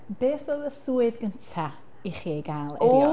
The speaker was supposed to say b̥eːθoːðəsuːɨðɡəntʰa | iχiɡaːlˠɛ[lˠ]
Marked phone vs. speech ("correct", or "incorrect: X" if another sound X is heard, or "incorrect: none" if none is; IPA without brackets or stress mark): incorrect: none